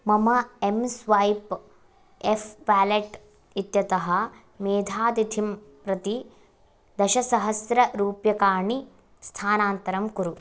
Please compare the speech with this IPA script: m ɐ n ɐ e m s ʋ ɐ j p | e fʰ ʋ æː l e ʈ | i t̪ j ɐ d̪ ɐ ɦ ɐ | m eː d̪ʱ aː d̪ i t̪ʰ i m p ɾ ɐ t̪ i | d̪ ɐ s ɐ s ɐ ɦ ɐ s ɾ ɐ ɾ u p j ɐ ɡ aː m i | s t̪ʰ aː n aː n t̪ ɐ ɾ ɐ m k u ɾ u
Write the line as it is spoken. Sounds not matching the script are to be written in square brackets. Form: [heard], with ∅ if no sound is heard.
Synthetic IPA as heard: m ɐ [m] ɐ e m s ʋ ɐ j p | e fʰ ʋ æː l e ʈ | i t̪ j ɐ [t̪] ɐ ɦ ɐ | m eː d̪ʱ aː d̪ i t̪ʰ i m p ɾ ɐ t̪ i | d̪ ɐ [ʃ] ɐ s ɐ ɦ ɐ s ɾ ɐ ɾ [uː] p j ɐ [k] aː [ɳ] i | s t̪ʰ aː n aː n t̪ ɐ ɾ ɐ m k u ɾ u